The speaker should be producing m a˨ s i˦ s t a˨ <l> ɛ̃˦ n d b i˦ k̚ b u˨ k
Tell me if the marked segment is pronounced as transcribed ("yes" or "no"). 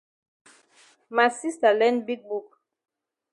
yes